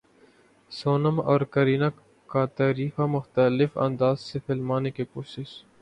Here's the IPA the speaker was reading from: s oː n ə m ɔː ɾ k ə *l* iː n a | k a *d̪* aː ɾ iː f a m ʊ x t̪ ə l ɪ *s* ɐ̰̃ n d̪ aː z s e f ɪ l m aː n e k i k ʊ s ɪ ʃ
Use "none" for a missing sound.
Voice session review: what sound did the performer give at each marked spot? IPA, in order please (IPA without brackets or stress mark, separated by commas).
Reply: ɾ, t̪, f